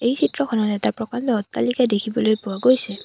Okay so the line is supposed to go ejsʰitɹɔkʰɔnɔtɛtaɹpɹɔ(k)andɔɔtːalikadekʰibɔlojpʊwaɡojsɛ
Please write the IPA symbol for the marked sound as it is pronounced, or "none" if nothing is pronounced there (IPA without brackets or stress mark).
k